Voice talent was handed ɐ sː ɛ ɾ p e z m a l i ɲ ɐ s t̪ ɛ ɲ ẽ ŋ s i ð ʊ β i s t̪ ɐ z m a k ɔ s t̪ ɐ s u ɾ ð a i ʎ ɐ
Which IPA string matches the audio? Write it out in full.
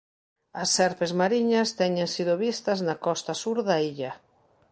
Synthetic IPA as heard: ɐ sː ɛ ɾ p e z m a ɾ i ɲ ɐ s t̪ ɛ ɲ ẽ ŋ s i ð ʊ β i s t̪ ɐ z n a k ɔ s t̪ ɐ s u ɾ ð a i ʎ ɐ